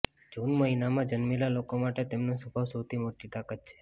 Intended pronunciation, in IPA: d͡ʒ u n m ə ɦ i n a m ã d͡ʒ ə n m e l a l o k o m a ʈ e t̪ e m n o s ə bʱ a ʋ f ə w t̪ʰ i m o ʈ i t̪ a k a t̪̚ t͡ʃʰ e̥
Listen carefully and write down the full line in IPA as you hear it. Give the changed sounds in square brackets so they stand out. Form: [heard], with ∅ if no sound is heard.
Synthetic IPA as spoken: d͡ʒ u n m ə ɦ i n a m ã d͡ʒ ə n m e l a l o k o m a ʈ e t̪ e m n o s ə bʱ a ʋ [s] ə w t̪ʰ i m o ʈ i t̪ a k a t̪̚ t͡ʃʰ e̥